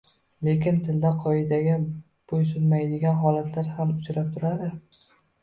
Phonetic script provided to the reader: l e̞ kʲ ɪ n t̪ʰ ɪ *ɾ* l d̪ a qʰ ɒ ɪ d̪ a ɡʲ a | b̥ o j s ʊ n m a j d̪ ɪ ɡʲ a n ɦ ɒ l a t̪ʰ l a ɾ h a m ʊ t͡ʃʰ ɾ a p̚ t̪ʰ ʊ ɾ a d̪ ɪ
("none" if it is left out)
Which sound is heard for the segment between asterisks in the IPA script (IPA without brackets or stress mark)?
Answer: none